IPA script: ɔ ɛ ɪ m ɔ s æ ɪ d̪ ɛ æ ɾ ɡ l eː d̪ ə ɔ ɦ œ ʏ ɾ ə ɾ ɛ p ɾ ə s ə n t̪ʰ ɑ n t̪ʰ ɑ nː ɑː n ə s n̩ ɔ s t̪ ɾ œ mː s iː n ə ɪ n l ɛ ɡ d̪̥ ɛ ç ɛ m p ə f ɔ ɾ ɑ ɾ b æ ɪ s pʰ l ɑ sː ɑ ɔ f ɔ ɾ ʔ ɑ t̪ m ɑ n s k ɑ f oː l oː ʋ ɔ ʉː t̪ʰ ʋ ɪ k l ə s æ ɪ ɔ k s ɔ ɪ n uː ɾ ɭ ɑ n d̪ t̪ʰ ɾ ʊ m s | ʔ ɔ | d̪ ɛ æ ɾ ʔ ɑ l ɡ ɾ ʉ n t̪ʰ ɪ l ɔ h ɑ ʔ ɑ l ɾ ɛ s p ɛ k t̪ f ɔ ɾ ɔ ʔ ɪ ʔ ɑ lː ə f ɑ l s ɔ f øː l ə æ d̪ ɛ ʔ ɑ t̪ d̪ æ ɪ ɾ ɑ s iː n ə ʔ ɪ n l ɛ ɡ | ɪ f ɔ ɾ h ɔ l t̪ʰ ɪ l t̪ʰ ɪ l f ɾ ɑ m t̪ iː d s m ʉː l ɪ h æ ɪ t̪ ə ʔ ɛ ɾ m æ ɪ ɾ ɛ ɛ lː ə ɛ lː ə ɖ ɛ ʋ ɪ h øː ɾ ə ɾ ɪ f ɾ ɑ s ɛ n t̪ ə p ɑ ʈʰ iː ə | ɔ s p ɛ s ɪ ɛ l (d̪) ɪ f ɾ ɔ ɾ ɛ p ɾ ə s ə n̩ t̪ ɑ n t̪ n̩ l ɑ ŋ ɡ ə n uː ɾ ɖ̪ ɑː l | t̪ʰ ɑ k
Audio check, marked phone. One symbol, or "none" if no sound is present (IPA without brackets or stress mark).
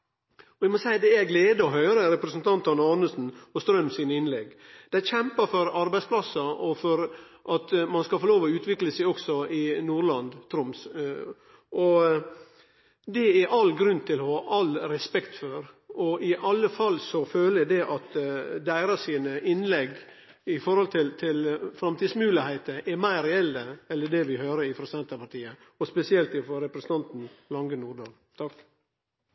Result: t̪